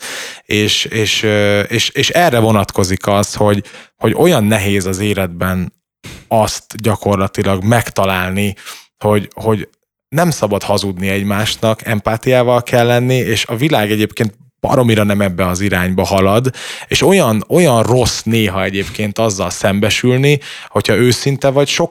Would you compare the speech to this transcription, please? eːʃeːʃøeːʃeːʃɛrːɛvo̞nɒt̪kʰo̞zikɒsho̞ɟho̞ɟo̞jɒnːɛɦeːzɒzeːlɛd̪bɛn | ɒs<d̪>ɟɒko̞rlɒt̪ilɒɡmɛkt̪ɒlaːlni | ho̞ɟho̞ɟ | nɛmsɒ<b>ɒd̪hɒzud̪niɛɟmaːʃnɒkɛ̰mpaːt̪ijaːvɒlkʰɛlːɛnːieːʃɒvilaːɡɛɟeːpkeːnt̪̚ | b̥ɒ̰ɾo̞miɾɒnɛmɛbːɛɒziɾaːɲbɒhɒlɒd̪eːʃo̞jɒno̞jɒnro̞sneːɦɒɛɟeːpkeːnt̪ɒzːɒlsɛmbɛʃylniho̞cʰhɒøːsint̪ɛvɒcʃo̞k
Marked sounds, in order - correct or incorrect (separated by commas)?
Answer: incorrect, correct